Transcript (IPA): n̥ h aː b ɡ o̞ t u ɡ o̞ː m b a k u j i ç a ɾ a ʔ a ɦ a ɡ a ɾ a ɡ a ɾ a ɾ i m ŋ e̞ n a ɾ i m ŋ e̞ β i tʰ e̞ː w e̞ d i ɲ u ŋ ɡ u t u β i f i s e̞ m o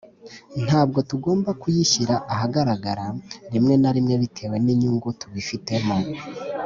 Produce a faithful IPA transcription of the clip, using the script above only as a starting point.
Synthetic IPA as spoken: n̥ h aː b ɡ o̞ t u ɡ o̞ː m b a k u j i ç i ɾ a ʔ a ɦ a ɡ a ɾ a ɡ a ɾ a ɾ i m ŋ e̞ n a ɾ i m ŋ e̞ β i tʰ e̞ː w e̞ n i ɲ u ŋ ɡ u t u β i f i t e̞ m o